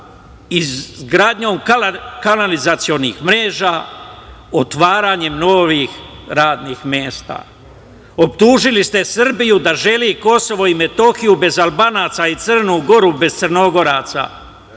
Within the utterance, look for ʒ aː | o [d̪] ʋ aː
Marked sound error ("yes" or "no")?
yes